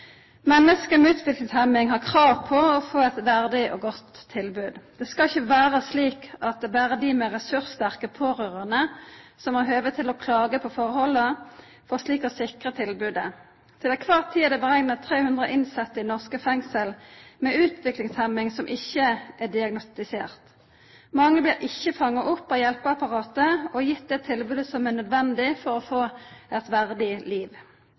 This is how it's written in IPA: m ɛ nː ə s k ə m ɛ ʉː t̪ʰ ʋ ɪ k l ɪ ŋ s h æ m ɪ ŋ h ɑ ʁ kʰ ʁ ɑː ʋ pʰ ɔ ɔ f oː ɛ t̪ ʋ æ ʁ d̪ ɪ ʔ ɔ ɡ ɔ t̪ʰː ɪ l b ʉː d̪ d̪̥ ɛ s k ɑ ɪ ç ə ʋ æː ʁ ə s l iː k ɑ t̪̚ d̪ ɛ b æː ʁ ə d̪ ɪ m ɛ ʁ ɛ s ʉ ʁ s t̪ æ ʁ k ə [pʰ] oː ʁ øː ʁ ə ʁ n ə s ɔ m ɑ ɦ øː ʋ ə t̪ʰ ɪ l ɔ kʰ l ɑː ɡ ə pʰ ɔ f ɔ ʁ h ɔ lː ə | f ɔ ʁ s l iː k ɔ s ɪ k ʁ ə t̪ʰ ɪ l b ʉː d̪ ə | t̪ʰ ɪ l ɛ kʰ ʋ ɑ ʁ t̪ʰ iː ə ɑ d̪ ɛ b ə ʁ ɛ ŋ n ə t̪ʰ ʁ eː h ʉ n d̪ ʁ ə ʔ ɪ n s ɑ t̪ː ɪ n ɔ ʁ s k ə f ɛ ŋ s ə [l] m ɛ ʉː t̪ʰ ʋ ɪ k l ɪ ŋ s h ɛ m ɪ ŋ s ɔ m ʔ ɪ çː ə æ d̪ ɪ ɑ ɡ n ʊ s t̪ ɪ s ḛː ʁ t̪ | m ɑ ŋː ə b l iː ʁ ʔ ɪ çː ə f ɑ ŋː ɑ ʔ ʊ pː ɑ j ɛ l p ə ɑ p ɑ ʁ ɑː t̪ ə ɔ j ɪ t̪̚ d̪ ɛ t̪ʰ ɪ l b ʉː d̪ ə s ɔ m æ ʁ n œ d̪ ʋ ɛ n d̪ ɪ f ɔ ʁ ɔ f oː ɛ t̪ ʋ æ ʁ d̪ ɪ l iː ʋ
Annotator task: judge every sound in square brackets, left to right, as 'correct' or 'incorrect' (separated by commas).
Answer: correct, correct